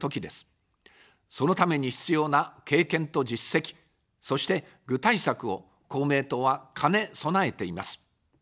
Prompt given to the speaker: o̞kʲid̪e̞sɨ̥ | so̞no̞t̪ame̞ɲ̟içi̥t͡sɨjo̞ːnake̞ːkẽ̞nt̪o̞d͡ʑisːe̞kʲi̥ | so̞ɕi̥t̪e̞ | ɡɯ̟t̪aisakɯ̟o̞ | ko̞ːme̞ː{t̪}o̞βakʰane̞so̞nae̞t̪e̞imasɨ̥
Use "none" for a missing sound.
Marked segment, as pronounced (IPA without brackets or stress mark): t̪